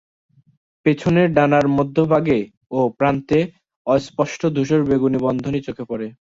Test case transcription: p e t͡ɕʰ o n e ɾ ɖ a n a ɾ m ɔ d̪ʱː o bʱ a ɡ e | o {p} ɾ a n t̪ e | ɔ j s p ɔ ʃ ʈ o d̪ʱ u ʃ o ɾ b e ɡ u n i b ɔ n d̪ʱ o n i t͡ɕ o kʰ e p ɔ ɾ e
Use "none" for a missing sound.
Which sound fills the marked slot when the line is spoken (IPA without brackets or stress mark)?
p